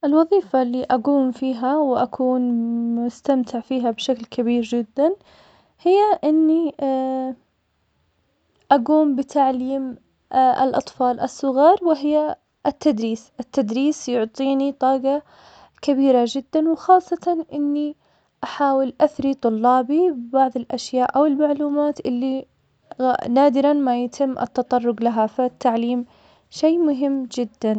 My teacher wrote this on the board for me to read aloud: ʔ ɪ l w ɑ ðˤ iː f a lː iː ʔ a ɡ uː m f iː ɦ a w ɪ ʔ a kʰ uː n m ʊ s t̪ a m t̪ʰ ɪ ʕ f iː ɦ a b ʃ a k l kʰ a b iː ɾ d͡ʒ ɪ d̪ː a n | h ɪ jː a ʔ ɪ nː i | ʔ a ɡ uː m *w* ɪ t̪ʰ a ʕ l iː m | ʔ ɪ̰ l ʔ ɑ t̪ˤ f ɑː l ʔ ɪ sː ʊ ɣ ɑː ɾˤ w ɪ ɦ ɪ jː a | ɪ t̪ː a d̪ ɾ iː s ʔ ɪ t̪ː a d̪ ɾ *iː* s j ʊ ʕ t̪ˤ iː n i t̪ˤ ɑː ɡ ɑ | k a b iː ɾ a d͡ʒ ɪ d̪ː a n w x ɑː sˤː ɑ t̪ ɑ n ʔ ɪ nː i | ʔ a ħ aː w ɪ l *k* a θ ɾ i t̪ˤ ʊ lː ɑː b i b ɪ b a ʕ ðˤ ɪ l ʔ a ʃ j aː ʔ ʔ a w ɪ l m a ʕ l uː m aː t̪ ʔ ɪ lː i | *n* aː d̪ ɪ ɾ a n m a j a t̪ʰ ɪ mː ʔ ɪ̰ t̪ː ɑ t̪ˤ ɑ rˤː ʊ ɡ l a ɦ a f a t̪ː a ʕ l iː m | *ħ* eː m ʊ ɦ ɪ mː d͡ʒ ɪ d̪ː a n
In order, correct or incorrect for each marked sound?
incorrect, correct, incorrect, correct, incorrect

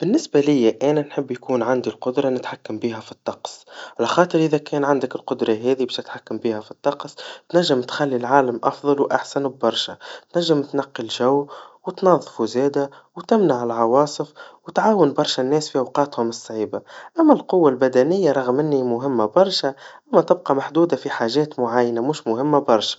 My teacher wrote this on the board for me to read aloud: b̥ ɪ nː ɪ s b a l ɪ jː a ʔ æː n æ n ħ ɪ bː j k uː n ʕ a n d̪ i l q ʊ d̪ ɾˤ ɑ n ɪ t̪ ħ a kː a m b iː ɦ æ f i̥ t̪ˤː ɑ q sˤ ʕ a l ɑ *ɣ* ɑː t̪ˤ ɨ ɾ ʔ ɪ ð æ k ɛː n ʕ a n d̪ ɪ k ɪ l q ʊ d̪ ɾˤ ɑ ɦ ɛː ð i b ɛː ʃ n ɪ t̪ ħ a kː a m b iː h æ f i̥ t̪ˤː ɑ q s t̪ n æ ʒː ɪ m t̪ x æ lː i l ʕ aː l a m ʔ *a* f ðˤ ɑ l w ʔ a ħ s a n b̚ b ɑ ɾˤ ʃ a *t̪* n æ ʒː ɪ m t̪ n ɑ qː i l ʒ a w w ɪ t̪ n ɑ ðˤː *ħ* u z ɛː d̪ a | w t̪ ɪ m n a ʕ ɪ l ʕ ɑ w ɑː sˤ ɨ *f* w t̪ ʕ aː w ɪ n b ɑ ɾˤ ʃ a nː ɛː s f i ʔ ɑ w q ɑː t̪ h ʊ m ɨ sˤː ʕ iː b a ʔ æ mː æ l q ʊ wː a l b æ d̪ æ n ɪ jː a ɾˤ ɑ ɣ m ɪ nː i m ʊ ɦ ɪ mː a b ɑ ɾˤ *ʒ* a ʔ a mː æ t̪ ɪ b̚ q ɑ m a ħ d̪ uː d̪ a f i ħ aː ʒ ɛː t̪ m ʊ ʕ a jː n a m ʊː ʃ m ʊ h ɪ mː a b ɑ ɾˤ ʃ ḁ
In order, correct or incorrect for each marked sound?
incorrect, incorrect, correct, incorrect, correct, incorrect

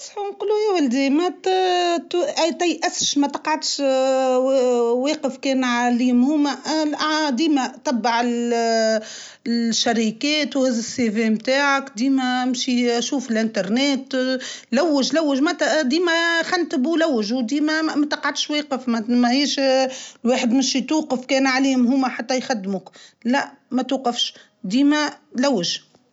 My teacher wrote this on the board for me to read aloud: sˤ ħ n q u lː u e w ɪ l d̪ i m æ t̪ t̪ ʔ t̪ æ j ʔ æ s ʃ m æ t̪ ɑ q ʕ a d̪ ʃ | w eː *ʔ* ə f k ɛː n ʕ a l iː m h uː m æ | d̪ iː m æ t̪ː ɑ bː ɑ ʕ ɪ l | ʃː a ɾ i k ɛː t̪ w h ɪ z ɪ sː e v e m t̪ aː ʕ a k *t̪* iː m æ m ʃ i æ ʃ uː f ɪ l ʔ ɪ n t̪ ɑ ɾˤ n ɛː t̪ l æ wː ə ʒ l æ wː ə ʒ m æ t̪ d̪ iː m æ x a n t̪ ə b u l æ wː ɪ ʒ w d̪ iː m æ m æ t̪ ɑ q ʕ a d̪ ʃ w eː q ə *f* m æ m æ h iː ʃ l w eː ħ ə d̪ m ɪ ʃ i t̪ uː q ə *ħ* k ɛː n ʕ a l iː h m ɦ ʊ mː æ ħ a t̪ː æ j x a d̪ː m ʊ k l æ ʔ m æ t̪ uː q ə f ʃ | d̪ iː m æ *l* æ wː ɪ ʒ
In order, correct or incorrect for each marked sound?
incorrect, incorrect, correct, incorrect, correct

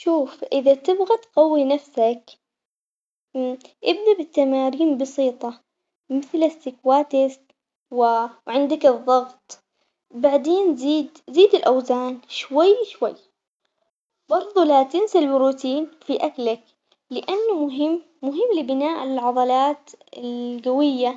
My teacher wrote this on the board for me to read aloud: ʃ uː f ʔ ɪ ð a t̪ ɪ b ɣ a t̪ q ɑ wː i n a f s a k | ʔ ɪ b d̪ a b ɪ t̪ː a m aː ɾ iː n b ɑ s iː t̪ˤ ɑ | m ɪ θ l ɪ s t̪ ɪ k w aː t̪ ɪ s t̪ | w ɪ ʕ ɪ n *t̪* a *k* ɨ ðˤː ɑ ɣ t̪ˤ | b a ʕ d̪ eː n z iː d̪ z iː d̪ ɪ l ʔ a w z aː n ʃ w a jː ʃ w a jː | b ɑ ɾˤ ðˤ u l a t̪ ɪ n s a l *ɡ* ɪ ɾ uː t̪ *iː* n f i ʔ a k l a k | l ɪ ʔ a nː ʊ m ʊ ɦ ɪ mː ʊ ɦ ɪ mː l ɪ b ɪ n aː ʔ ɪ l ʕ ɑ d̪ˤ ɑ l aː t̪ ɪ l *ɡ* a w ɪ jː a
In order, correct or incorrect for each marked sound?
incorrect, correct, incorrect, correct, correct

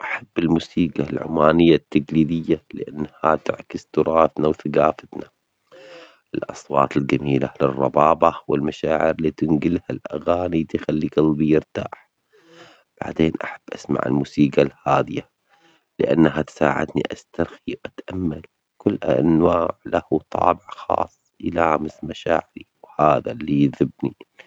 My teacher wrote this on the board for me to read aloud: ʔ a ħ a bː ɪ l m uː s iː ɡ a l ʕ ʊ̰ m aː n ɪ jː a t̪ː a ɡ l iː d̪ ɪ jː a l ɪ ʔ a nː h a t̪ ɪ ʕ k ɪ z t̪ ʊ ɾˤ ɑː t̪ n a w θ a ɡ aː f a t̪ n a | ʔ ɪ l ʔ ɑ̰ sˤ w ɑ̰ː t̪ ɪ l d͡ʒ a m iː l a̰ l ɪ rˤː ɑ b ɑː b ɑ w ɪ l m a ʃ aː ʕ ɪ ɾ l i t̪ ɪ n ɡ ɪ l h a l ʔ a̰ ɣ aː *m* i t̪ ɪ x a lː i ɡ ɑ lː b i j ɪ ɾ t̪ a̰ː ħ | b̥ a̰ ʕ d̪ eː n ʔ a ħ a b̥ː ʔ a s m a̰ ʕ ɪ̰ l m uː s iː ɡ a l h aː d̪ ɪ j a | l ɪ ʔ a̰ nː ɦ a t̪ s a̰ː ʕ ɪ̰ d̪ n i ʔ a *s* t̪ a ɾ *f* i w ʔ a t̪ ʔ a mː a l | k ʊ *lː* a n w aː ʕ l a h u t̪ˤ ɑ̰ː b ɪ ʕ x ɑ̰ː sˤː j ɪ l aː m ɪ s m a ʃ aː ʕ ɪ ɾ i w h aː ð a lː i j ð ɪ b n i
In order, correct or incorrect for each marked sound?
incorrect, correct, incorrect, correct

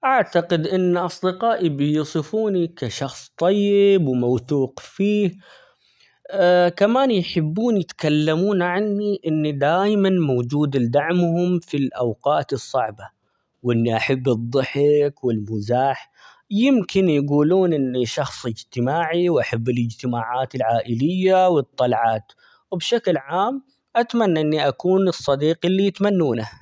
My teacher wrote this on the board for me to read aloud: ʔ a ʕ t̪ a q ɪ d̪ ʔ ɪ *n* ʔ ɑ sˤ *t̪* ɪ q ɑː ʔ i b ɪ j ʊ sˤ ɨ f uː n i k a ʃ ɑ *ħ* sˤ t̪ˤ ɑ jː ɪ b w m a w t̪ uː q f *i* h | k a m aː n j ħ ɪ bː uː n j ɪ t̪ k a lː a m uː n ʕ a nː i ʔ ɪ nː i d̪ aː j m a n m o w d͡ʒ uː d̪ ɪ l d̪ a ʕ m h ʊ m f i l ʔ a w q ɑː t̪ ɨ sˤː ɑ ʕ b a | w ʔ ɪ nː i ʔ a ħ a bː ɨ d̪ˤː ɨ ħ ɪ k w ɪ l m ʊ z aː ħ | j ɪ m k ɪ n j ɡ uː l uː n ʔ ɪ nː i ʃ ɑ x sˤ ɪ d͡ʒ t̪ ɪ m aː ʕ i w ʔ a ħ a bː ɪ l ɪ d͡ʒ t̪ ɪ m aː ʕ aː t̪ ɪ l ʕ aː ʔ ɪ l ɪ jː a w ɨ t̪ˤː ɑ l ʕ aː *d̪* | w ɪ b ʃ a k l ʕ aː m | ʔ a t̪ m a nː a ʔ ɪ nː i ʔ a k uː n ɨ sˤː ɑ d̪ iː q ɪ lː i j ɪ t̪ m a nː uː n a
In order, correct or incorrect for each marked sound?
incorrect, incorrect, incorrect, incorrect, incorrect

